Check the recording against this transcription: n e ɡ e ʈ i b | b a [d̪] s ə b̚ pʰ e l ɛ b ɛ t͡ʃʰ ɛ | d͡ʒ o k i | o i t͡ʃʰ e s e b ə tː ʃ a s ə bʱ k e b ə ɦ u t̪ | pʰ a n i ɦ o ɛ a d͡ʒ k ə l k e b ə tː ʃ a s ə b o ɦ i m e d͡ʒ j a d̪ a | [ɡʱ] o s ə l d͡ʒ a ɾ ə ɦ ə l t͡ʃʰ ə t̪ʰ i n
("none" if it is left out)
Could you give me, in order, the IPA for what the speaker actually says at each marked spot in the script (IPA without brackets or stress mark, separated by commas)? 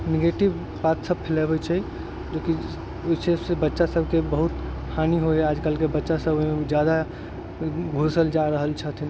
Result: t̪, ɡʱ